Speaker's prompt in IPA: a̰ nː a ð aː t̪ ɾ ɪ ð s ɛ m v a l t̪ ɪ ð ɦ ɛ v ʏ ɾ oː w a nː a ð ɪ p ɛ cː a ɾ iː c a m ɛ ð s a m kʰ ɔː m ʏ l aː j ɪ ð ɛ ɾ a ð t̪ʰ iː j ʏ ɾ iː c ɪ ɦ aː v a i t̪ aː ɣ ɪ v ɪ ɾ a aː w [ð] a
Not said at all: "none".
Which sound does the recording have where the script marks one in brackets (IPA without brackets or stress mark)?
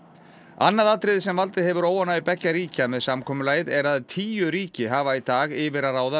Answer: ð